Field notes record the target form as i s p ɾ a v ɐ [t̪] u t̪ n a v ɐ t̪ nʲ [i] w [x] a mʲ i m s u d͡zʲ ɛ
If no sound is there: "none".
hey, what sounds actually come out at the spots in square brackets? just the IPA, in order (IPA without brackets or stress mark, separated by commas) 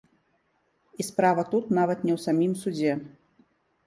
t̪, ɛ, s